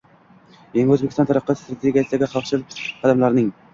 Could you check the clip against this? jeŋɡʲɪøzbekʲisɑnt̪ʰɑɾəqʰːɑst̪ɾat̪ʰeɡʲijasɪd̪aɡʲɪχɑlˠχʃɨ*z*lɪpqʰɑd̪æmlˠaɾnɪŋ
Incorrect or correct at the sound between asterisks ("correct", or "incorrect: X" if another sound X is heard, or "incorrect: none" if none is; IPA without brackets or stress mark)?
incorrect: none